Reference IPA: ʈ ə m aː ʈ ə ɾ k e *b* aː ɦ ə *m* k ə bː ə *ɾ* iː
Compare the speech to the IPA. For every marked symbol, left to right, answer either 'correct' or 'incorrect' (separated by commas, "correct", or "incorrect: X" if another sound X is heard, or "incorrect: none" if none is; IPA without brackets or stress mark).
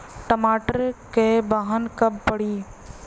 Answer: correct, incorrect: n, incorrect: ɽ